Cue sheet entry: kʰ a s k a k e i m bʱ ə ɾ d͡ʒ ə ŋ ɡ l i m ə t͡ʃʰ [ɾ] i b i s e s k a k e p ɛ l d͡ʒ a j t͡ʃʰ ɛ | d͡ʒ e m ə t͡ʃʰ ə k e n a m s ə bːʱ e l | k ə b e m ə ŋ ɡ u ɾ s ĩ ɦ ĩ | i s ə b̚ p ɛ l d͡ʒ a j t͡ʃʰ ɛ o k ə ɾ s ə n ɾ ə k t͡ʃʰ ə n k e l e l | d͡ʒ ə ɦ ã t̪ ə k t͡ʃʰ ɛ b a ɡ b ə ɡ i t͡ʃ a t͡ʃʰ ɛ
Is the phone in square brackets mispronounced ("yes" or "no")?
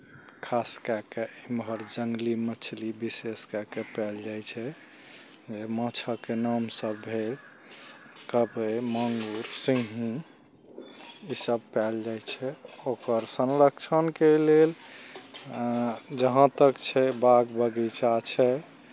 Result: yes